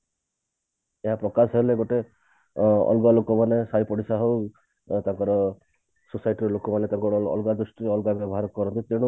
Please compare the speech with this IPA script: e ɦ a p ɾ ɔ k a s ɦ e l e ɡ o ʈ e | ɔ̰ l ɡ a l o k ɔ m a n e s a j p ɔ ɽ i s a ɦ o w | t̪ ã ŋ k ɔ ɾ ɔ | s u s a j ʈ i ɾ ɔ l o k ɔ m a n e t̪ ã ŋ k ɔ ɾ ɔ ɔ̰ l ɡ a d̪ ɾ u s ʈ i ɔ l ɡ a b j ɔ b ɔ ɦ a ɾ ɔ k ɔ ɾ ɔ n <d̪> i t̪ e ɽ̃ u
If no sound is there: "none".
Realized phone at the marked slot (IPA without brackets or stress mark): t̪